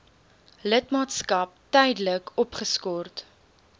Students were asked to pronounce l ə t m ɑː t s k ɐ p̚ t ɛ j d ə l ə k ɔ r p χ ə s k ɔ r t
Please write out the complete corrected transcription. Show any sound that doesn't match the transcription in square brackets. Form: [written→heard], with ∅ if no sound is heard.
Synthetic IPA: l ə t m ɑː t s k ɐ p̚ t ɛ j d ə l ə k ɔ [r→∅] p χ ə s k ɔ r t